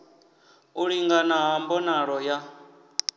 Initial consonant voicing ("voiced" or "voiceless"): voiced